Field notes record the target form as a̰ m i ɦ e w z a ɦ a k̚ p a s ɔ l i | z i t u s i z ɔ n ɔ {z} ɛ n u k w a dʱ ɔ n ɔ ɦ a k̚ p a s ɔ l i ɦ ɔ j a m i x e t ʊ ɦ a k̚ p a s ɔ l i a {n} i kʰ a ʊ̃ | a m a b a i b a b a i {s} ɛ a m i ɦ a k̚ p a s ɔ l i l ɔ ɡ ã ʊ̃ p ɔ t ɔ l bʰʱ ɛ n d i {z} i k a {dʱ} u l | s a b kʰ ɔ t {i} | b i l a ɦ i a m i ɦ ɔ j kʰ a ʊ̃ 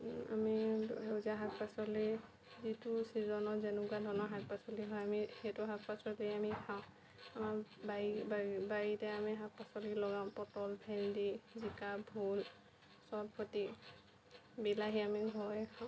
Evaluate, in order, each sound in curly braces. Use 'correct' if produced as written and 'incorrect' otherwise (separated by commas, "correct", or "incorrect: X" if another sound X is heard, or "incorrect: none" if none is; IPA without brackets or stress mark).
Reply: correct, incorrect: m, incorrect: t, correct, incorrect: bʱ, correct